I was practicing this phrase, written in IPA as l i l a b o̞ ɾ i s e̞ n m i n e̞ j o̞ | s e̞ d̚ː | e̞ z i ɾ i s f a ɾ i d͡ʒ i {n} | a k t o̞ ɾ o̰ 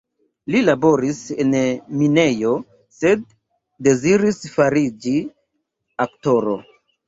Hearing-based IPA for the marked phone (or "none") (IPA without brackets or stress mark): none